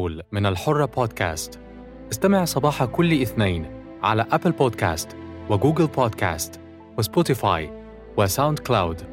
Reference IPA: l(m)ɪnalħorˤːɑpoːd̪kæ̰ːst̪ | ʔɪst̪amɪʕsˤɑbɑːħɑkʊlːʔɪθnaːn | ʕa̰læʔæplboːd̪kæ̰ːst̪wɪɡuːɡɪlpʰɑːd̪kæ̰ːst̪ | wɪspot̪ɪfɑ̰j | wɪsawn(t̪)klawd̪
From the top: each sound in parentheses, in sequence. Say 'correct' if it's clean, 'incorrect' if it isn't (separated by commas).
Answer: correct, incorrect